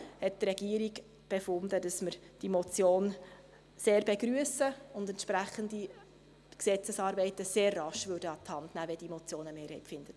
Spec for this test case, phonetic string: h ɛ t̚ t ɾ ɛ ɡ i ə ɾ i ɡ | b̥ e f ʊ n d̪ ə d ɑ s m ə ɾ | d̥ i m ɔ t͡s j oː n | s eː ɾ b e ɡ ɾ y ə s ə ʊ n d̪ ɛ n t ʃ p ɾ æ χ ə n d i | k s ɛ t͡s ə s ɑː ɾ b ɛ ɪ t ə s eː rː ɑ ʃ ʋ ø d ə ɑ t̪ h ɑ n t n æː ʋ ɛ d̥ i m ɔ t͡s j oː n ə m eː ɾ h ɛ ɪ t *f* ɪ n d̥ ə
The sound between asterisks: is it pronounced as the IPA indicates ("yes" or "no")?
yes